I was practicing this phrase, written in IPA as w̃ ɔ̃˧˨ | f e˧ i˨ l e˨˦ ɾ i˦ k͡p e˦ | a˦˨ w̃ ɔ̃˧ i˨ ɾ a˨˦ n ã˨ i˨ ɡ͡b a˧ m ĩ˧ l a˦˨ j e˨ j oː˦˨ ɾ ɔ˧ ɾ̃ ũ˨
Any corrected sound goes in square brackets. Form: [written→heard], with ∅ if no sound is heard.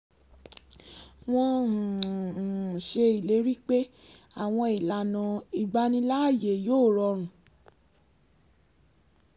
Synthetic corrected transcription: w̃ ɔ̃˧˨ | [f→ʃ] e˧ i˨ l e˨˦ ɾ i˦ k͡p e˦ | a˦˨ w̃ ɔ̃˧ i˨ [ɾ→l] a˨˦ n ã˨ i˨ ɡ͡b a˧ [m→n] ĩ˧ l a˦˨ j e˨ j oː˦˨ ɾ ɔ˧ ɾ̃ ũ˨